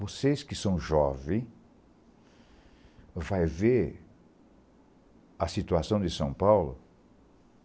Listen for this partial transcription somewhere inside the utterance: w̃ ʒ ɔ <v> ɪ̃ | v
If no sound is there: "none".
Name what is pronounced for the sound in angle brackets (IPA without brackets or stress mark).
v